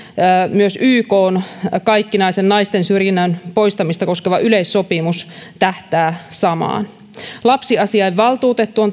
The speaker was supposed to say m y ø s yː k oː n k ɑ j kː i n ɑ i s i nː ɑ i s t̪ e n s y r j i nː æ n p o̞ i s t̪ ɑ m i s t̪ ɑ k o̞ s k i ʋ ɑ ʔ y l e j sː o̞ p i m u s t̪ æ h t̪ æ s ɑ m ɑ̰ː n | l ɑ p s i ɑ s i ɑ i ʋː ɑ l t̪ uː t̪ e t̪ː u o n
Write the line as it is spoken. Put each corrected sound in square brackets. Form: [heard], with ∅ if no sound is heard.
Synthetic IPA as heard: m y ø s yː k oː n k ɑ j kː i n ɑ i s [e] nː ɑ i s t̪ e n s y r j i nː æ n p o̞ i s t̪ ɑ m i s t̪ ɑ k o̞ s k [e] ʋ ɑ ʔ y l e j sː o̞ p i m u s t̪ æ h t̪ [æː] s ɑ m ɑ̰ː n | l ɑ p s i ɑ s i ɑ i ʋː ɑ l t̪ uː t̪ e t̪ː u o n